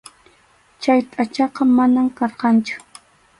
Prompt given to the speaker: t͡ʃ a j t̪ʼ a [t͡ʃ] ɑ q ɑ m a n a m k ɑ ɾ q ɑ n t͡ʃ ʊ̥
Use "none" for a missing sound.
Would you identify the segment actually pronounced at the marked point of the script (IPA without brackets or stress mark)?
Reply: t͡ʃ